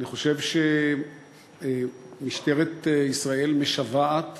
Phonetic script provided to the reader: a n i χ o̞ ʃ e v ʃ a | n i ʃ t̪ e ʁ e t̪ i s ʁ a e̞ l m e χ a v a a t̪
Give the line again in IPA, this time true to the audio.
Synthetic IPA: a n i χ o̞ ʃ e v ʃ e | m i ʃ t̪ e ʁ e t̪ i s ʁ a e̞ l m e ʃ a v a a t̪

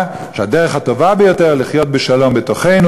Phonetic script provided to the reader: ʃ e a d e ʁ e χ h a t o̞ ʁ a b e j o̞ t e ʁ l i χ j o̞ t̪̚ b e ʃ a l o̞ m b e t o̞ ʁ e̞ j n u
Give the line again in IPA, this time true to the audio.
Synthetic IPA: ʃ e a d e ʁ e χ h a t o̞ v a b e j o̞ t e ʁ l i χ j o̞ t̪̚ b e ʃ a l o̞ m b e t o̞ χ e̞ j n u

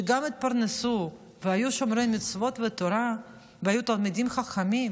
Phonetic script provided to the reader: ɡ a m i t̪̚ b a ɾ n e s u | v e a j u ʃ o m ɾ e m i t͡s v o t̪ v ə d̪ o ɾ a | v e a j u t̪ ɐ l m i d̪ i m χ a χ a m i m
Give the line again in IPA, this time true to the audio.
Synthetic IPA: ɡ a m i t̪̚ p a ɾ n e s u | v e a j u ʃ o m ɾ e m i t͡s v o t̪ v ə t̪ o ɾ a | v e a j u t̪ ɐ l m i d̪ i m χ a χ a m i m

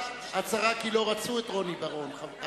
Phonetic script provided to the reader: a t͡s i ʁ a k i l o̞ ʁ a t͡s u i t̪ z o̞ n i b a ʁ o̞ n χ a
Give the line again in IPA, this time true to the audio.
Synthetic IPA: a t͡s a ʁ a k i l o̞ ʁ a t͡s u e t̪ ʁ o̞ n i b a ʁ o̞ n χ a

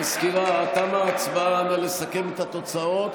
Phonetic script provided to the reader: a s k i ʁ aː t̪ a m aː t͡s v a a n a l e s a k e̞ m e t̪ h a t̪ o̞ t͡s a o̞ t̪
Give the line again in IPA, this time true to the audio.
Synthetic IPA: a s k i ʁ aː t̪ a m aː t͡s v a a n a l e s a k e̞ m e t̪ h a t̪ o̞ t͡s a o̞ t̪

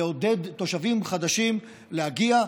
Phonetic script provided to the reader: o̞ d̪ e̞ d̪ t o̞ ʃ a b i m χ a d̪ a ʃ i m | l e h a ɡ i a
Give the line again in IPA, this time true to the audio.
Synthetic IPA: o̞ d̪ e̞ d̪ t o̞ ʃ a v i m χ a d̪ a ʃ i m | l e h a ɡ i a

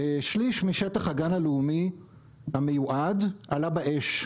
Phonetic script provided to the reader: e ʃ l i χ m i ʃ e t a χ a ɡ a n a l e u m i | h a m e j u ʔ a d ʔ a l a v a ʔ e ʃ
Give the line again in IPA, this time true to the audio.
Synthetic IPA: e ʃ l i ʃ m i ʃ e t a χ a ɡ a n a l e u m i | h a m e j u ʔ a d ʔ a l a b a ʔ e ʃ

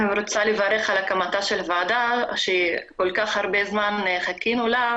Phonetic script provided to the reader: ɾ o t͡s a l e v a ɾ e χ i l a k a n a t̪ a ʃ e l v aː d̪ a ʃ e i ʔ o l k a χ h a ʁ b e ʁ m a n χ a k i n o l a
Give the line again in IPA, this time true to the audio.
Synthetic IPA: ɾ o t͡s a l e v a ɾ e χ a l a k a m a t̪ a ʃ e l v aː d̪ a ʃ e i k o l k a χ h a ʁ b e z m a n χ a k i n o l a

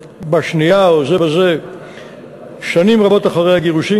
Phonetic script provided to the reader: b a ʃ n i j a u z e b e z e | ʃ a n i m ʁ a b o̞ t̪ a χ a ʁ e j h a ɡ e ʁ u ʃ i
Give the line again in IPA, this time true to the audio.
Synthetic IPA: b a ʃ n i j a o z e b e z e | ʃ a n i m ʁ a b o̞ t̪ a χ a ʁ e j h a ɡ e ʁ u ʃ i

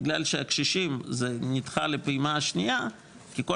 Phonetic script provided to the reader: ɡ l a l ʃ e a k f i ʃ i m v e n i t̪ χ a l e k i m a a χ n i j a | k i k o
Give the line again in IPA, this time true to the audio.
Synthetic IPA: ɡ l a l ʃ e a k ʃ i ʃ i m z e n i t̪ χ a l e p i m a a ʃ n i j a | k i k o

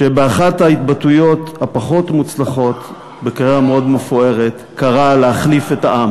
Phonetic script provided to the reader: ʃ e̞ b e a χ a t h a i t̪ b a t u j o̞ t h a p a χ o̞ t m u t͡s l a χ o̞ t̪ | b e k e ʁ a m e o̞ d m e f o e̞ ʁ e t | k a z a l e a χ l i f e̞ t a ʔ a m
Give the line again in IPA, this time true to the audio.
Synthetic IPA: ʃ e̞ b e a χ a t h a i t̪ b a t u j o̞ t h a p a χ o̞ t m u t͡s l a χ o̞ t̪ | b e k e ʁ a m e o̞ d m e f o e̞ ʁ e t | k a ʁ a l e a χ l i f e̞ t a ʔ a m

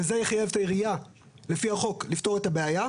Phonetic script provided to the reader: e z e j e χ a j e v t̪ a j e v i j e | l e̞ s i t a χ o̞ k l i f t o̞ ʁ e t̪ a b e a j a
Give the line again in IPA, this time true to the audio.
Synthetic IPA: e z e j e χ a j e v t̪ a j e ʁ i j a | l e̞ f i a χ o̞ k l i f t o̞ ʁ e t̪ a b e a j a

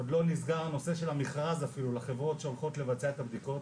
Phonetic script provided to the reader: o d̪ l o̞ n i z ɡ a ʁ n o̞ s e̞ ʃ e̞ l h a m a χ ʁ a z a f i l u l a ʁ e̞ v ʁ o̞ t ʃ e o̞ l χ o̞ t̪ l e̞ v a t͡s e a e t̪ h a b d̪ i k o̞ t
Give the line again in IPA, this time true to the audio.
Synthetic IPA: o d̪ l o̞ n i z ɡ a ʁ n o̞ s e̞ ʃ e̞ l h a m i χ ʁ a z a f i l u l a χ e̞ v ʁ o̞ t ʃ e o̞ l χ o̞ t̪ l e̞ v a t͡s e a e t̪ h a b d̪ i k o̞ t

